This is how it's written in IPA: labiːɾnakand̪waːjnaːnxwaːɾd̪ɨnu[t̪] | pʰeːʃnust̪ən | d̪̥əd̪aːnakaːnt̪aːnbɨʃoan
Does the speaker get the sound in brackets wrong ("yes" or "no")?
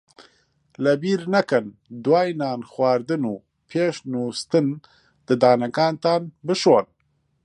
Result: yes